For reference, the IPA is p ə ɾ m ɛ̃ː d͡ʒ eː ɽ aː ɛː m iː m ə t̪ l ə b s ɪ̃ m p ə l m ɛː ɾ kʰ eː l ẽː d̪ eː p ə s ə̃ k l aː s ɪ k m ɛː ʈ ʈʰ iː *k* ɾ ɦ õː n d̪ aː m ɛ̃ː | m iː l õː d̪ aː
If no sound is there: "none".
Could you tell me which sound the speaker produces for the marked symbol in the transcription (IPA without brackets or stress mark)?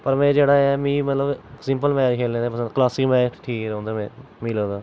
k